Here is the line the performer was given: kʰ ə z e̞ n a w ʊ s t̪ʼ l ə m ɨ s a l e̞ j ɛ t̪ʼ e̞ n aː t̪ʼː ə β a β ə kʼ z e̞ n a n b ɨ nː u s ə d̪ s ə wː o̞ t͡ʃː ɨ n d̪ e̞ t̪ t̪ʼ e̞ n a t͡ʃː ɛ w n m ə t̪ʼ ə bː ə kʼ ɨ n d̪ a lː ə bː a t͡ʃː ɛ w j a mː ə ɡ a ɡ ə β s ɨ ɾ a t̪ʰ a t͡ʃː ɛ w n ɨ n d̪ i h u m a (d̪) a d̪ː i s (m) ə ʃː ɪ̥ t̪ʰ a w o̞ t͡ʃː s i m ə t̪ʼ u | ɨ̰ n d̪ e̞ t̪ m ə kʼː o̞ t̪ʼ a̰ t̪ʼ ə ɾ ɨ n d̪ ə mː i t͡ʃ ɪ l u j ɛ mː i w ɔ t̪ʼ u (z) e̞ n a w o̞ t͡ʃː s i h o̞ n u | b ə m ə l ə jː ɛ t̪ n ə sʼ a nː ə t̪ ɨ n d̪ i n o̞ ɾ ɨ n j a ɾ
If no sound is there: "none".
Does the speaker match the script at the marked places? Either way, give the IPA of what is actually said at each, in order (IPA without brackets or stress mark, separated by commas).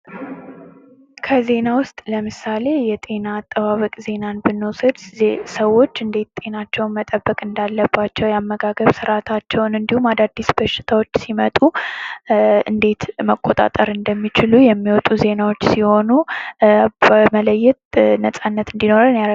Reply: d̪, b, z